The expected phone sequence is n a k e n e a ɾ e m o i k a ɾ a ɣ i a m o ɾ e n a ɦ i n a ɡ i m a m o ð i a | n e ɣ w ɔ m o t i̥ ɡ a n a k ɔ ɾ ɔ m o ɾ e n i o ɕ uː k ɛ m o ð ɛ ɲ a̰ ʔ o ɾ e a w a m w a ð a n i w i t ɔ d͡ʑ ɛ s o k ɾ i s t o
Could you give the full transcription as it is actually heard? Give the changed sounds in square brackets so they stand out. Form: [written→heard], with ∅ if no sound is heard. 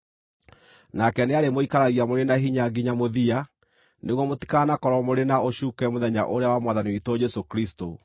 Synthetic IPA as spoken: n a k [e→ɛ] n e a ɾ e m o i k a ɾ a ɣ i a m o ɾ e n a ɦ i [n→ɲ] a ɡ i [m→ɲ] a m o ð i a | n e ɣ w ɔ m o t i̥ [ɡ→k] a n a k ɔ ɾ ɔ m o ɾ e n [i→a] o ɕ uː k ɛ m o ð ɛ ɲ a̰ ʔ o ɾ e a w a m w a ð a n i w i t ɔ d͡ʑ ɛ s o k ɾ i s t o

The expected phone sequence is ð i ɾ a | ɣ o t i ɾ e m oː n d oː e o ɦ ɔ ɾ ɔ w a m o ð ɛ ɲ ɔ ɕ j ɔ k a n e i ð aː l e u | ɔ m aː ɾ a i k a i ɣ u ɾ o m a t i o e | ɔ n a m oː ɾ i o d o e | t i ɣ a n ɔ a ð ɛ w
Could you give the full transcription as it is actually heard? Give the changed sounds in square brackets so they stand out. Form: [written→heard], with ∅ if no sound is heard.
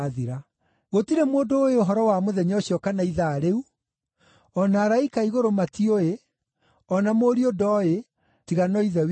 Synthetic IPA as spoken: ð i ɾ a | ɣ o t i ɾ e m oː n d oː e o ɦ ɔ ɾ ɔ w a m o ð ɛ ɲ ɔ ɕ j ɔ k a n [e→a] i ð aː [l→ɾ] e u | ɔ [m→n] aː ɾ a i k a i ɣ [u→o] ɾ o m a t i o e | ɔ n a m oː ɾ i o d [o→ɔ] e | t i ɣ a n ɔ [a→i] ð ɛ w

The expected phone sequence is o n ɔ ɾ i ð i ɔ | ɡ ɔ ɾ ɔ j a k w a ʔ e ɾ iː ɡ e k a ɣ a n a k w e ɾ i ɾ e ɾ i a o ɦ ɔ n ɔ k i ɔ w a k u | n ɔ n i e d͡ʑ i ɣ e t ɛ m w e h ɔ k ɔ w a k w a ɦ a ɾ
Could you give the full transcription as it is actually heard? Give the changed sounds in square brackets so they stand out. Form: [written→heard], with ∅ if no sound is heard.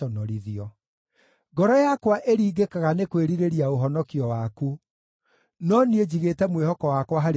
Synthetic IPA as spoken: [o→ɔ] n ɔ ɾ i ð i ɔ | ɡ ɔ ɾ ɔ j a k w a ʔ e ɾ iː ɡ e k a ɣ a n [a→e] k w e ɾ i ɾ e ɾ i a o ɦ ɔ n ɔ k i ɔ w a k u | n ɔ n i e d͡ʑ i ɣ e t ɛ m w e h ɔ k ɔ w a k w a ɦ a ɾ

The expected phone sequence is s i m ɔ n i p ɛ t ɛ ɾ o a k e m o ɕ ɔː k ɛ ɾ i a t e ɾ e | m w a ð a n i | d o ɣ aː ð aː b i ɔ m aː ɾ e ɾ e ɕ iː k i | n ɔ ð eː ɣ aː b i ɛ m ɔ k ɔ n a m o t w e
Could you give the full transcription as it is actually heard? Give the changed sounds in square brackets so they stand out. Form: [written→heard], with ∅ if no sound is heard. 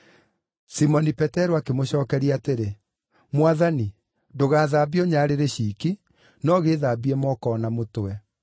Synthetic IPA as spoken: s i m ɔ n i p ɛ t ɛ ɾ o a k e m o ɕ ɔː k ɛ ɾ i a t e ɾ e | m w a ð a n i | d o ɣ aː ð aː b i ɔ [m→ɲ] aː ɾ e ɾ e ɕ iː k i | n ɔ [ð→ɣ] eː [ɣ→ð] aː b i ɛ m ɔ k ɔ n a m o t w [e→ɛ]

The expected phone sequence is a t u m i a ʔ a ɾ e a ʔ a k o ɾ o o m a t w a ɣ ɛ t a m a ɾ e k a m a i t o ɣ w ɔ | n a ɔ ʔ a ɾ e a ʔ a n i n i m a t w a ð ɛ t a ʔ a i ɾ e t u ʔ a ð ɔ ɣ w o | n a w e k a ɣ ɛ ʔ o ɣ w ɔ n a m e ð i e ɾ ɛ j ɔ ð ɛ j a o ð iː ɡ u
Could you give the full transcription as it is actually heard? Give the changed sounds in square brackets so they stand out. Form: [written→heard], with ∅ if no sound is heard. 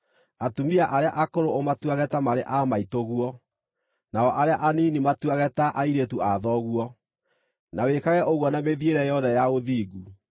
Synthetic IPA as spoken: a t u m i a ʔ a ɾ e a ʔ a k o ɾ o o m a t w a ɣ ɛ t a m a ɾ e [k→ʔ] a m a i t o ɣ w ɔ | n a ɔ ʔ a ɾ e a ʔ a n i n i m a t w a [ð→ɣ] ɛ t a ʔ a i ɾ e t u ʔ a ð ɔ ɣ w [o→ɔ] | n a w e k a ɣ ɛ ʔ o ɣ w ɔ n a m e ð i e ɾ ɛ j ɔ ð ɛ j a o ð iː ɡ u

